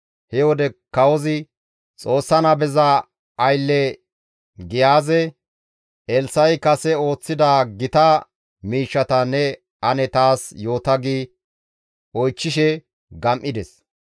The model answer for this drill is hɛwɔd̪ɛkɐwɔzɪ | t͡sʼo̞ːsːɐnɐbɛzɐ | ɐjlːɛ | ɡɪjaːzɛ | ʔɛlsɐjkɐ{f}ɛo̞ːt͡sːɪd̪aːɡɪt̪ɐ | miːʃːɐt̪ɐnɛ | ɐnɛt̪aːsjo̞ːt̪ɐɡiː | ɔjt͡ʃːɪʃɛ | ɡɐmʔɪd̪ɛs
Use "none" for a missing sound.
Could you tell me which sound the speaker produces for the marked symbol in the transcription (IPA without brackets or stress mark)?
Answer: s